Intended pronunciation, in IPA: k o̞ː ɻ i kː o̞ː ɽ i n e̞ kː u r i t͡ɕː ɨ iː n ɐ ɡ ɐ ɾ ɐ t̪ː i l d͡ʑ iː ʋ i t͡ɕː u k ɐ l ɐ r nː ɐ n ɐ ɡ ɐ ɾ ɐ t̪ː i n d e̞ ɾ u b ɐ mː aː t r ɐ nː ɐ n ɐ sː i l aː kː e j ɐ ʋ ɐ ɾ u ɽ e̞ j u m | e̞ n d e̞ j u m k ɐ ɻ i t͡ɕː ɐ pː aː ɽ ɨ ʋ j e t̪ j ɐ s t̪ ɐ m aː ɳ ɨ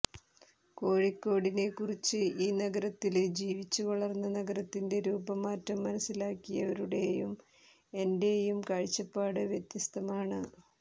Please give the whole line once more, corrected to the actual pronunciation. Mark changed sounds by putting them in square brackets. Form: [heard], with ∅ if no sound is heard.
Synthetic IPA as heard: k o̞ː ɻ i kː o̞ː ɽ i n e̞ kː u r i t͡ɕː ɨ iː n ɐ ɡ ɐ ɾ ɐ t̪ː i l d͡ʑ iː ʋ i t͡ɕː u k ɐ [ɭ] ɐ r nː ɐ n ɐ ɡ ɐ ɾ ɐ t̪ː i n d e̞ ɾ [uː] b ɐ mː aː t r ɐ [mː] ɐ n ɐ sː i l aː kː [i] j ɐ ʋ ɐ ɾ u ɽ e̞ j u m | e̞ n d e̞ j u m k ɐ ɻ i t͡ɕː ɐ pː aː ɽ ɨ ʋ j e t̪ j ɐ s t̪ ɐ m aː ɳ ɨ

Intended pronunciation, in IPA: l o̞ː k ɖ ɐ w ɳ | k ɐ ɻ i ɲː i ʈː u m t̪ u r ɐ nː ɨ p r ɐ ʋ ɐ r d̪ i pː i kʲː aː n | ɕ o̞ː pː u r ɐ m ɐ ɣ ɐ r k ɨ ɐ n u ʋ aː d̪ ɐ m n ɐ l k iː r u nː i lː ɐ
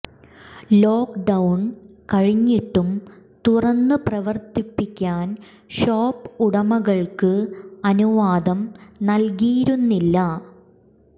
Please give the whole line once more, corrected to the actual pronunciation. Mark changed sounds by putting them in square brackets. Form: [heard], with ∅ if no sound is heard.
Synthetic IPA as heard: l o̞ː k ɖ ɐ w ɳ | k ɐ ɻ i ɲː i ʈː u m t̪ u r ɐ nː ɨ p r ɐ ʋ ɐ r [t̪] i pː i kʲː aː n | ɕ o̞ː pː u [ɽ] ɐ m ɐ ɣ ɐ [ɭ] k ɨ ɐ n u ʋ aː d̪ ɐ m n ɐ l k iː [ɾ] u nː i lː ɐ

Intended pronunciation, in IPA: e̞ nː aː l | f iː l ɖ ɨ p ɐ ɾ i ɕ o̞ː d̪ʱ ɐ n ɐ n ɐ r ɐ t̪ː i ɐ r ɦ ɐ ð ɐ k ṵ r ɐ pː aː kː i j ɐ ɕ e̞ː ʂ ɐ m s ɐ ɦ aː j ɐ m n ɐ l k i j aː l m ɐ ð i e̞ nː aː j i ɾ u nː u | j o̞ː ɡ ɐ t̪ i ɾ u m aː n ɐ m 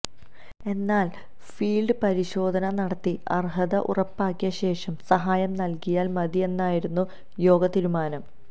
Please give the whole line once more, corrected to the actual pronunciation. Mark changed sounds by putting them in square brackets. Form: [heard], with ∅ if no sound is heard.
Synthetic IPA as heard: e̞ nː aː l | f iː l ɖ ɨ p ɐ ɾ i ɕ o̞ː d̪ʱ ɐ n ɐ n ɐ [ɽ] ɐ t̪ː i ɐ r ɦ ɐ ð ɐ [ʔ] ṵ r ɐ pː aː kː i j ɐ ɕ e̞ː ʂ ɐ m s ɐ ɦ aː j ɐ m n ɐ l k i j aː l m ɐ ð i e̞ nː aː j i ɾ u nː u | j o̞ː ɡ ɐ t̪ i ɾ u m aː n ɐ m

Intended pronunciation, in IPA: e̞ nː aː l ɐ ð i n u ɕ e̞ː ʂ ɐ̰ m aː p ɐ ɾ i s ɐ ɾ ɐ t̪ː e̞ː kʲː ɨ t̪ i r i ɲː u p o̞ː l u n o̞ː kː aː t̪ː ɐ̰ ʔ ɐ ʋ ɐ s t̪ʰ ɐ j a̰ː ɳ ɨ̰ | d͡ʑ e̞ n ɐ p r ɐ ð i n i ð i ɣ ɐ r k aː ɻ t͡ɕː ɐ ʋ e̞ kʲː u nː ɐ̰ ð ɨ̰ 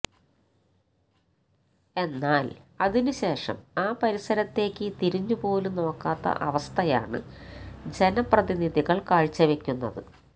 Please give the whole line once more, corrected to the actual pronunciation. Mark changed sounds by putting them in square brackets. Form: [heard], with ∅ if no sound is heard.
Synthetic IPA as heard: e̞ nː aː l ɐ ð i n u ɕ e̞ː ʂ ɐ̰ m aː p ɐ ɾ i s ɐ ɾ ɐ t̪ː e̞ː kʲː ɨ t̪ i [ɾ] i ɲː u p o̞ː l u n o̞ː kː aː t̪ː ɐ̰ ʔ ɐ ʋ ɐ s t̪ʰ ɐ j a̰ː ɳ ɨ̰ | d͡ʑ e̞ n ɐ p r ɐ ð i n i ð i ɣ ɐ [ɭ] k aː ɻ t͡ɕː ɐ ʋ e̞ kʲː u nː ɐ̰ ð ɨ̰

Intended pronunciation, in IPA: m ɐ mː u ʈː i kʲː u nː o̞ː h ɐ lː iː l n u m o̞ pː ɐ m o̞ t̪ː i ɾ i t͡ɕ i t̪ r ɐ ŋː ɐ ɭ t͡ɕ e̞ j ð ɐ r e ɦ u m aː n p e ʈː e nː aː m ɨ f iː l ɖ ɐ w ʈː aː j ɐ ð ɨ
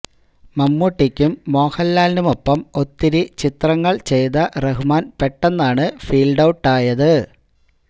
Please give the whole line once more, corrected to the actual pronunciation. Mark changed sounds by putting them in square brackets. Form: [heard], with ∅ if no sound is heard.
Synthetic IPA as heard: m ɐ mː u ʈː i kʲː u [mː] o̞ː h ɐ lː [aː] l n u m o̞ pː ɐ m o̞ t̪ː i ɾ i t͡ɕ i t̪ r ɐ ŋː ɐ ɭ t͡ɕ e̞ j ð ɐ r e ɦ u m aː n p e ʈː e nː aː [ɳ] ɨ f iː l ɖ ɐ w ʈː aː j ɐ ð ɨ

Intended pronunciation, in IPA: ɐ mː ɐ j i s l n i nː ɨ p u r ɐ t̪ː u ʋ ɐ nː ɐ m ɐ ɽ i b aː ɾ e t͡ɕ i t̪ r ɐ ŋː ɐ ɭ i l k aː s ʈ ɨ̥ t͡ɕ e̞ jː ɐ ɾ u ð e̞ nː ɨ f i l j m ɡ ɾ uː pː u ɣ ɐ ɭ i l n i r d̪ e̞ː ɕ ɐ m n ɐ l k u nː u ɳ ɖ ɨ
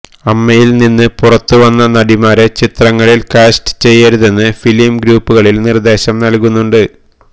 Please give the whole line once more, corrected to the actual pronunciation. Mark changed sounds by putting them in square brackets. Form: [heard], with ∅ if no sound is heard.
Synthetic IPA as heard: ɐ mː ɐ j i [∅] l n i nː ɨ p u r ɐ t̪ː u ʋ ɐ nː ɐ [n] ɐ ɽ i [m] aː ɾ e t͡ɕ i t̪ r ɐ ŋː ɐ ɭ i l k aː s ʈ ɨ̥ t͡ɕ e̞ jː ɐ ɾ u ð e̞ nː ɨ f i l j m ɡ ɾ uː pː u ɣ ɐ ɭ i l n i r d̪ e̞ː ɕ ɐ m n ɐ l k u nː u ɳ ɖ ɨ

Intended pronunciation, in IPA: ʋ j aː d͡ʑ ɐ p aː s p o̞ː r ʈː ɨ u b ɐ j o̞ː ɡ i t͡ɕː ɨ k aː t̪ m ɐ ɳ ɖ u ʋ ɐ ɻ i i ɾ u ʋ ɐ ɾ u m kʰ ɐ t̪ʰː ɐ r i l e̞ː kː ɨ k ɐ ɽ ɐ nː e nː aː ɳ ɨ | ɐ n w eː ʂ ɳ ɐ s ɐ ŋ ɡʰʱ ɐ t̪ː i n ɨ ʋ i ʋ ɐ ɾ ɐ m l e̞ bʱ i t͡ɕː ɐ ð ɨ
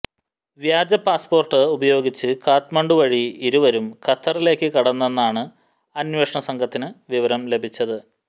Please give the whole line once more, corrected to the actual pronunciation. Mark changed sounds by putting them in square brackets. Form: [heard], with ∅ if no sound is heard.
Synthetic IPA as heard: ʋ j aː d͡ʑ ɐ p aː s p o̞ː r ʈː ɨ u b ɐ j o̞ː ɡ i t͡ɕː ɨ k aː t̪ m ɐ ɳ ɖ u ʋ ɐ ɻ i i ɾ u ʋ ɐ ɾ u m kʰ ɐ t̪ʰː ɐ r i l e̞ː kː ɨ k ɐ ɽ ɐ nː e nː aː ɳ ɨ | ɐ n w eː ʂ ɳ ɐ s ɐ ŋ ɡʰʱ ɐ t̪ː i n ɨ ʋ i ʋ ɐ ɾ ɐ m l e̞ bʱ i t͡ɕː ɐ ð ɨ

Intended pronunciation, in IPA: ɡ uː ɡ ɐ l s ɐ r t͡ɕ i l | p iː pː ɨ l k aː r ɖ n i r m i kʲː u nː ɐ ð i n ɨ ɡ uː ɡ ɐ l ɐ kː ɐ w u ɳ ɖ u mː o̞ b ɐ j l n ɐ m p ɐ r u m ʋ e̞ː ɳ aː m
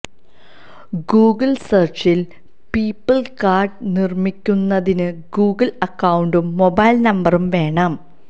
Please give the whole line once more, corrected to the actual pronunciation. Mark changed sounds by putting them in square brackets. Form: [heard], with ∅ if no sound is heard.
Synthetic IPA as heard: ɡ uː ɡ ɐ l s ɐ r t͡ɕ i l | p iː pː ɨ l k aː r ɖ n i r m i kʲː u nː ɐ ð i n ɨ ɡ uː ɡ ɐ l ɐ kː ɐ w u ɳ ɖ u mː o̞ b ɐ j l n ɐ m [b] ɐ r u m ʋ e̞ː ɳ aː m

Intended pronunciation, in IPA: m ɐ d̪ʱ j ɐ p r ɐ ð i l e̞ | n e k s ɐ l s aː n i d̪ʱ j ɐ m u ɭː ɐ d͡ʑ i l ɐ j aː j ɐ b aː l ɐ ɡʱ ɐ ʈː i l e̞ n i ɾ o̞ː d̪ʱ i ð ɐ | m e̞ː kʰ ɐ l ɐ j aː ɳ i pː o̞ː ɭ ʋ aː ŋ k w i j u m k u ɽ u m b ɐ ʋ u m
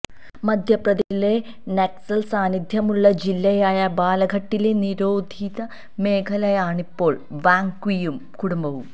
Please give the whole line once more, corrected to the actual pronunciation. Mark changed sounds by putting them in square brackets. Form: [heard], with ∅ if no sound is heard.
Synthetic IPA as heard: m ɐ d̪ʱ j ɐ p r ɐ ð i l e̞ | n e k s ɐ l s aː n i d̪ʱ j ɐ m u ɭː ɐ d͡ʑ i [lː] ɐ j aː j ɐ b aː l ɐ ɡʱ ɐ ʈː i l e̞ n i ɾ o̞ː d̪ʱ i ð ɐ | m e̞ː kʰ ɐ l ɐ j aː ɳ i pː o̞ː ɭ ʋ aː ŋ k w i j u m k u ɽ u m b ɐ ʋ u m

